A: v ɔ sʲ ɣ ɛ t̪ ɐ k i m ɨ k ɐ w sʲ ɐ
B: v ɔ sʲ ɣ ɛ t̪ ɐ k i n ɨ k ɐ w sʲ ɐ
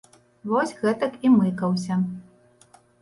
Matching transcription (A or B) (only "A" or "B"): A